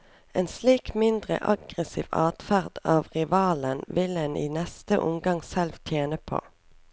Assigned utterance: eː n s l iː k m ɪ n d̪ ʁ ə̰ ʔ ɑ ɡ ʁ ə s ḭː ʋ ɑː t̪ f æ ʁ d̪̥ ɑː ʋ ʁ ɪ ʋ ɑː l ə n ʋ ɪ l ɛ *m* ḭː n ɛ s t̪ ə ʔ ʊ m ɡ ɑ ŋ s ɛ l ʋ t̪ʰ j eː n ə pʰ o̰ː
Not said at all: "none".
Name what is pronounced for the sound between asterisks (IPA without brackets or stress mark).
n